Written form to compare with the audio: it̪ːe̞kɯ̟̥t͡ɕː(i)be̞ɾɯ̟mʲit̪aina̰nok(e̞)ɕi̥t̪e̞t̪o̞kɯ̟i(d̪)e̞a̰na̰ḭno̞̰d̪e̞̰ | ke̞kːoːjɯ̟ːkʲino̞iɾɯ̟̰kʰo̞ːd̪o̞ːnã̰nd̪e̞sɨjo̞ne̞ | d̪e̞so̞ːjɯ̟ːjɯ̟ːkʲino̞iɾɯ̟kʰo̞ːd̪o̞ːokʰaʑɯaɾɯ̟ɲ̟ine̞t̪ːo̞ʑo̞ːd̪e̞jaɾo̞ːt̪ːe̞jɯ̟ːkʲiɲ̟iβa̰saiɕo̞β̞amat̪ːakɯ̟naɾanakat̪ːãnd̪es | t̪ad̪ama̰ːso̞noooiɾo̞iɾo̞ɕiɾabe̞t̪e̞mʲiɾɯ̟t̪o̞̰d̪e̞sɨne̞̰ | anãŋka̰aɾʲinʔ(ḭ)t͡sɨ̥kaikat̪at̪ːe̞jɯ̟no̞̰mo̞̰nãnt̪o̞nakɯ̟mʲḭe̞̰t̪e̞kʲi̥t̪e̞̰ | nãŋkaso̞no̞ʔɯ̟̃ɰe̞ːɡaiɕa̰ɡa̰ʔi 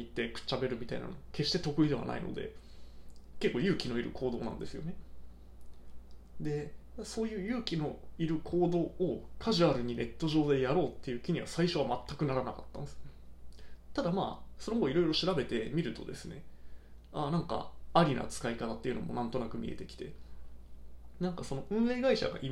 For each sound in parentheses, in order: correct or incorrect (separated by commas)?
incorrect, correct, correct, incorrect